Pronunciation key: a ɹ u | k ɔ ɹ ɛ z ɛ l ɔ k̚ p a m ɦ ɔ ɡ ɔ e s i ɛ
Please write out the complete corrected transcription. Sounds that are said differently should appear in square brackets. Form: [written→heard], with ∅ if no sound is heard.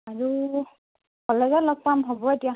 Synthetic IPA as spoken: a ɹ u | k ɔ [ɹ→l] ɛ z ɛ l ɔ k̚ p a m ɦ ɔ [ɡ→b] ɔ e [s→t] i [ɛ→a]